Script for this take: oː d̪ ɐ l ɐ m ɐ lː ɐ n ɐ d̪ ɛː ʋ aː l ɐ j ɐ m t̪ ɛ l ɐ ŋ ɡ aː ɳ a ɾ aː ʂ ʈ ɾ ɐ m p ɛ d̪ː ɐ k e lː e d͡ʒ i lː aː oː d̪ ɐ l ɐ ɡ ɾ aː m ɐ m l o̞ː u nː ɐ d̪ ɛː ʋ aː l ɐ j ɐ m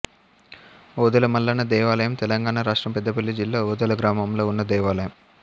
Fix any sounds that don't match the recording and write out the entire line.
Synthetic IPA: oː d̪ ɐ l ɐ m ɐ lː ɐ n ɐ d̪ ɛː ʋ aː l ɐ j ɐ m t̪ ɛ l ɐ ŋ ɡ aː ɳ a ɾ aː ʂ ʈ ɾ ɐ m p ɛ d̪ː ɐ p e lː i d͡ʒ i lː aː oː d̪ ɐ l ɐ ɡ ɾ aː m ɐ m l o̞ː u nː ɐ d̪ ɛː ʋ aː l ɐ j ɐ m